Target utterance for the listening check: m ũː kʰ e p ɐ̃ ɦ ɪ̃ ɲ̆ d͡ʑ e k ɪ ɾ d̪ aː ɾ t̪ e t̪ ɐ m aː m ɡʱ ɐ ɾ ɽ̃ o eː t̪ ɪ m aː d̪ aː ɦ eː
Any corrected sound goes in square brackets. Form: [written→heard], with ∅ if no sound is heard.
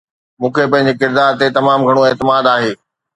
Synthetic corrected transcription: m ũː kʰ e p ɐ̃ ɦ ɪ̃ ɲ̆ d͡ʑ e k ɪ ɾ d̪ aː ɾ t̪ e t̪ ɐ m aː m ɡʱ ɐ [ɾ→∅] ɽ̃ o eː t̪ ɪ m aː d̪ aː ɦ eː